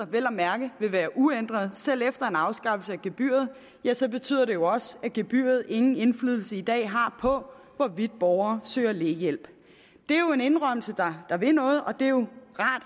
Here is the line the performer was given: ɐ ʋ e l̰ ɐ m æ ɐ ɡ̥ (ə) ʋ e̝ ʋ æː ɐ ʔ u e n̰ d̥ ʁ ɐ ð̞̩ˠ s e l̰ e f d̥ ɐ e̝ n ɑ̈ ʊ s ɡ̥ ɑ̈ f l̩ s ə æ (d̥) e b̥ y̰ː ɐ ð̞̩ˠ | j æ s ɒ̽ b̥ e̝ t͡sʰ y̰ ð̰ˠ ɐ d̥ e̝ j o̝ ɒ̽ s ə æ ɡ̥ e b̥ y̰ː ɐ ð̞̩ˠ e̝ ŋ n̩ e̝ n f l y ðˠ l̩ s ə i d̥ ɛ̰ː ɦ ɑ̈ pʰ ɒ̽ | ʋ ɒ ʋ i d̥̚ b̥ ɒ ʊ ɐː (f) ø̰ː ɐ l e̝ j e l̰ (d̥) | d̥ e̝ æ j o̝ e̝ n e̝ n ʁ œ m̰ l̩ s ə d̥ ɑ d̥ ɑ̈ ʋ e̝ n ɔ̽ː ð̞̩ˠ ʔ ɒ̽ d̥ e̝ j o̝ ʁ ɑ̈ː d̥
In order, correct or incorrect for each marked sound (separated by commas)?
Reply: correct, incorrect, incorrect, incorrect